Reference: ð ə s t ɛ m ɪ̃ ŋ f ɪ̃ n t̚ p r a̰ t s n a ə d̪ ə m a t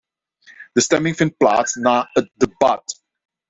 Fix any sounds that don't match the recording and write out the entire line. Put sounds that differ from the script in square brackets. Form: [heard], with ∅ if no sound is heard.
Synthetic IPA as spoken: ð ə s t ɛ m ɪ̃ ŋ f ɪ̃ n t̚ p [l] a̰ t s n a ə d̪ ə [b] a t